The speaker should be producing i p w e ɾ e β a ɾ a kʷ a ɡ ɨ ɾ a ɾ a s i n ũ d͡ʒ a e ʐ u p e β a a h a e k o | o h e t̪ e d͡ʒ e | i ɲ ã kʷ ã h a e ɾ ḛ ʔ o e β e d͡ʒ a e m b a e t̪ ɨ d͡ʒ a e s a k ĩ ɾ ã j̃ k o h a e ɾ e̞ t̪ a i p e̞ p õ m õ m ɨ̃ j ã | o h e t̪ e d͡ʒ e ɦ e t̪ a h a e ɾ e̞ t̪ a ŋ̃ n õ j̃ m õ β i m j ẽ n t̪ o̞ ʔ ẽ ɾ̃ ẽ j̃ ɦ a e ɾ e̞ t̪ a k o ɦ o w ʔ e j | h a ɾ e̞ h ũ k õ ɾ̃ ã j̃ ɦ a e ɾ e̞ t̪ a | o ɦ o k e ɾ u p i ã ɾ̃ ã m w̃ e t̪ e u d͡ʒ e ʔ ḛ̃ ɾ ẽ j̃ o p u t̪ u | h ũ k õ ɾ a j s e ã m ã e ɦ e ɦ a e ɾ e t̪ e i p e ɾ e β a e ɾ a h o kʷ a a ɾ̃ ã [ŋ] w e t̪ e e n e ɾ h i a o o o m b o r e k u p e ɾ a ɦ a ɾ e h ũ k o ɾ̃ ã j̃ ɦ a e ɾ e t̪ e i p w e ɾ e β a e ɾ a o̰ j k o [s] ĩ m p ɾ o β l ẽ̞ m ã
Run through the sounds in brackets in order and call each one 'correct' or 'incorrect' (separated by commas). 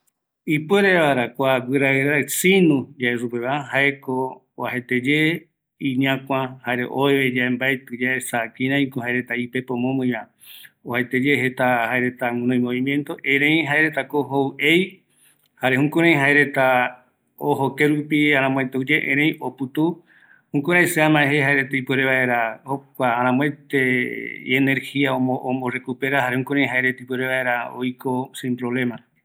incorrect, correct